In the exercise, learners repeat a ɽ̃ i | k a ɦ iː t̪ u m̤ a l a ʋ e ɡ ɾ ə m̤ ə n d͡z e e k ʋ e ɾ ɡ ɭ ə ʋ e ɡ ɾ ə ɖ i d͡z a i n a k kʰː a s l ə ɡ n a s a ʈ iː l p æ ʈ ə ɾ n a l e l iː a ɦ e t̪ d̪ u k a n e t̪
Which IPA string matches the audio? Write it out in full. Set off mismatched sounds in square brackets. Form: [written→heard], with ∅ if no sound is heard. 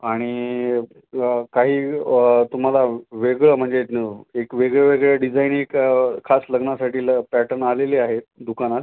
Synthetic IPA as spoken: a ɽ̃ i | k a ɦ iː t̪ u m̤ a l a ʋ e ɡ [ɾ→ɭ] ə m̤ ə [n→ɳ] d͡z e e k ʋ e [ɾ→∅] ɡ ɭ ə ʋ e ɡ [ɾ→ɭ] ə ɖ i d͡z a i n [a→e] k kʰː a s l ə ɡ n a s a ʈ iː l p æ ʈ ə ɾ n a l e l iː a ɦ e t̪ d̪ u k a n [e→a] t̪